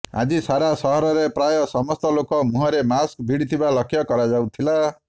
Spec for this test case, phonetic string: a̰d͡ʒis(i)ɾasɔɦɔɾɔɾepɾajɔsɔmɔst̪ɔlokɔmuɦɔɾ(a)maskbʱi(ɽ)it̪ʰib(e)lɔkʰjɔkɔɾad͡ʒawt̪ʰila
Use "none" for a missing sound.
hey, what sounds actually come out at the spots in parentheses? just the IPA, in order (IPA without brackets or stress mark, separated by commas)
a, e, ɽ, a